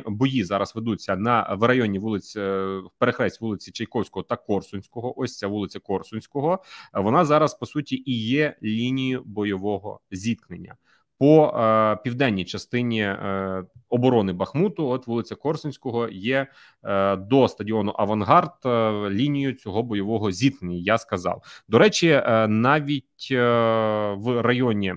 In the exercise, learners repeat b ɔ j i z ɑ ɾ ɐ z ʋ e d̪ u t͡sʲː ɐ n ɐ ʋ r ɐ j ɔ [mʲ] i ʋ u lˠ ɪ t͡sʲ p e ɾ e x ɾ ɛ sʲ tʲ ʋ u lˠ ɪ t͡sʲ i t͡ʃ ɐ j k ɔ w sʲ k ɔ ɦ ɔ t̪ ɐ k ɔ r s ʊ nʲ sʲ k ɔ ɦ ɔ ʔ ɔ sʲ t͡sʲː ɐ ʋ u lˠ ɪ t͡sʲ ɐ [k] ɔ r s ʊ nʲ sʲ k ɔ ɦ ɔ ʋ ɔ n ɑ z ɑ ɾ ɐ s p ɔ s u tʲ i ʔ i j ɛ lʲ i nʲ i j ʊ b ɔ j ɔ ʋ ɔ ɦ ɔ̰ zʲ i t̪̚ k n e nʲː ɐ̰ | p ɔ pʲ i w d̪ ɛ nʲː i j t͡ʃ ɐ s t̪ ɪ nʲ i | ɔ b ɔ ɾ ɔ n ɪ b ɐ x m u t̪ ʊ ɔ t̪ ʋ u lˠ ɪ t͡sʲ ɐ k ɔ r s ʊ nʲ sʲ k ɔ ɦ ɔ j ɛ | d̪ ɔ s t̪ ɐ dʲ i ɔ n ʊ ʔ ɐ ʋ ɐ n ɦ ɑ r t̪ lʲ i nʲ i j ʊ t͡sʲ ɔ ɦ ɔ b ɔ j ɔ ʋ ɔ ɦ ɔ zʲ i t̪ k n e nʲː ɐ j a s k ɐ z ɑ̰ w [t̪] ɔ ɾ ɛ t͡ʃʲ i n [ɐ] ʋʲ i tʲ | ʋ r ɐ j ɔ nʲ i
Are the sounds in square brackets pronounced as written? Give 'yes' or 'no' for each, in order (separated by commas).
no, yes, no, no